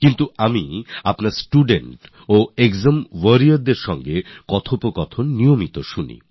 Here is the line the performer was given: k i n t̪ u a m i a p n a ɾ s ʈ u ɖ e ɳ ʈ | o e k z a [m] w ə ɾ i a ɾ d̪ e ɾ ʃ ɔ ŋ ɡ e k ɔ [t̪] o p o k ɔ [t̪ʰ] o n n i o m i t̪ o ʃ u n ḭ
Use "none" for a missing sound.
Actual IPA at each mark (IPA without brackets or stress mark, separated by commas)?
m, t̪ʰ, t̪ʰ